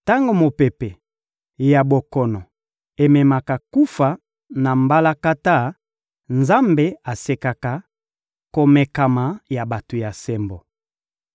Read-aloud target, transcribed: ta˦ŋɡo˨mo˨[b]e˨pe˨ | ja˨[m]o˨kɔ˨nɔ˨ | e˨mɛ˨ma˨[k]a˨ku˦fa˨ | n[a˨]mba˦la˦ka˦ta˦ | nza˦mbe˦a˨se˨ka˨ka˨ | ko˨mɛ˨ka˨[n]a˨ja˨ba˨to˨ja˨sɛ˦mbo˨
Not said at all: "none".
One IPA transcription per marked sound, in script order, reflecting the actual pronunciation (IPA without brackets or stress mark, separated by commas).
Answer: p, b, k, a˨, m